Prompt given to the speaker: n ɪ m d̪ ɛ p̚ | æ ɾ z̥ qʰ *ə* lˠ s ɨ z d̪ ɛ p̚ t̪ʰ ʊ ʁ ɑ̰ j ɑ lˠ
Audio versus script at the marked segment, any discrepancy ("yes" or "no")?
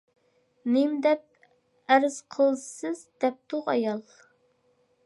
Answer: no